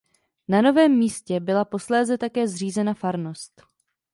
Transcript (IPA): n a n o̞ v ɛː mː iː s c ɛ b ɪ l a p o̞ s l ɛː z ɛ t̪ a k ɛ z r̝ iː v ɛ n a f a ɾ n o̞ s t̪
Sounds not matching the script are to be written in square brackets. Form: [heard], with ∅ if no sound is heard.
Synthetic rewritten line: n a n o̞ v ɛː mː iː s c ɛ b ɪ l a p o̞ s l ɛː z ɛ t̪ a k [ɛː] z r̝ iː [z] ɛ n a f a ɾ n o̞ s t̪